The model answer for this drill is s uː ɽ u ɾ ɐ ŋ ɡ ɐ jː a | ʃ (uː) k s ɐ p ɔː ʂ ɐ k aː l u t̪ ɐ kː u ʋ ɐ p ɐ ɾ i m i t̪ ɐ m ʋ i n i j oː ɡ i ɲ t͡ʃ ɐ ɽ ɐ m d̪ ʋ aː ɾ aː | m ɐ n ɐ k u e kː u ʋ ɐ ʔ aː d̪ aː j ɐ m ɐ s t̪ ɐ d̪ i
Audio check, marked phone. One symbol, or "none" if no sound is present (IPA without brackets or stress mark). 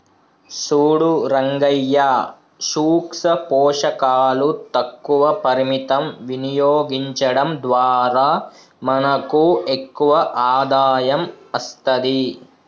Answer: uː